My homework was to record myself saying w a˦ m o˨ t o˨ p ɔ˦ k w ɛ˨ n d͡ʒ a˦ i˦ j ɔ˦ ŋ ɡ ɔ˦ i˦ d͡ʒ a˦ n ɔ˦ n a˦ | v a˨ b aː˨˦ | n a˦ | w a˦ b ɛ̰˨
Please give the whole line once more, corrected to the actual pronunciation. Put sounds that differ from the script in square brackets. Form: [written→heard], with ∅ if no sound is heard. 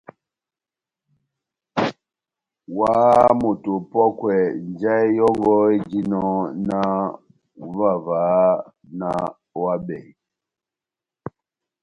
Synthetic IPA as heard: w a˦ m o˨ t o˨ p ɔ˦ k w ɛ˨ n d͡ʒ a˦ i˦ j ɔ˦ ŋ ɡ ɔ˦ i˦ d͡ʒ [a˦→i˦] n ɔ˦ n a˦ | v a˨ [b→v] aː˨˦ | n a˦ | w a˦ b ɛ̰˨